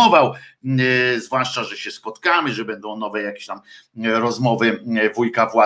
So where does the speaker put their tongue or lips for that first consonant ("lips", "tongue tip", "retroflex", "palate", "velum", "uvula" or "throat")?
lips